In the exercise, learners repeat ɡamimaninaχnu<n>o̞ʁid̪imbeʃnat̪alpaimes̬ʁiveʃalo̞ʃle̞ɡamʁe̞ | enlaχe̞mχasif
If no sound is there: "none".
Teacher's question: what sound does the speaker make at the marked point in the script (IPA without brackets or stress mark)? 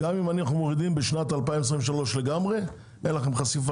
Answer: m